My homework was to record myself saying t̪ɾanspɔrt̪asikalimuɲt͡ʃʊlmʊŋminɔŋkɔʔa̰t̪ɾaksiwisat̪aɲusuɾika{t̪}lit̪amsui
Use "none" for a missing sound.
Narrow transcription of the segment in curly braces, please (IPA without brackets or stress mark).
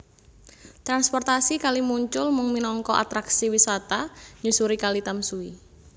none